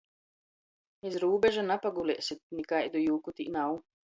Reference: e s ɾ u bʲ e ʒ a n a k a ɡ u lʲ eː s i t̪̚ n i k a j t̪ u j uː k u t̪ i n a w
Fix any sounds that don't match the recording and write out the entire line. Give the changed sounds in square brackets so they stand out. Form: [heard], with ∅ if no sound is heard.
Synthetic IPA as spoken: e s ɾ [uː] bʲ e ʒ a n a [p] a ɡ u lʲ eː s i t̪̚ n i k a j [d̪] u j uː k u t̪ i n a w